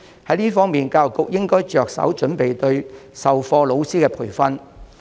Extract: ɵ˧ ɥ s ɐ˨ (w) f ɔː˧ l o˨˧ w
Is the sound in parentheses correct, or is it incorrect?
correct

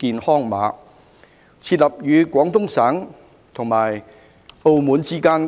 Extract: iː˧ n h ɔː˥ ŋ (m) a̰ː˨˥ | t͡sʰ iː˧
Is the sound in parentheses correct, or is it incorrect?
correct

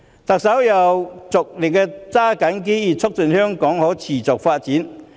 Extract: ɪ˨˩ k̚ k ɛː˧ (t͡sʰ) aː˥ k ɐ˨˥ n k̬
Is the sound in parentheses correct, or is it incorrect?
incorrect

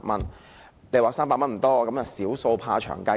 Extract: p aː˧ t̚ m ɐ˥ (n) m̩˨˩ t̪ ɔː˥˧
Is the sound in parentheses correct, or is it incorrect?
correct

